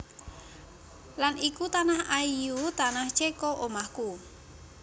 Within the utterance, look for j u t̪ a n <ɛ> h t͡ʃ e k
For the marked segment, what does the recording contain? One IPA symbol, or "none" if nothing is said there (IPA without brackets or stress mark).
a